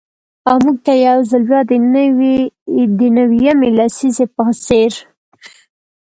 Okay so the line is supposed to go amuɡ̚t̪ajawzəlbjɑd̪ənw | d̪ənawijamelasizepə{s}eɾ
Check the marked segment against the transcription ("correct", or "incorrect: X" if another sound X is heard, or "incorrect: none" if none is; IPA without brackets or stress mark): correct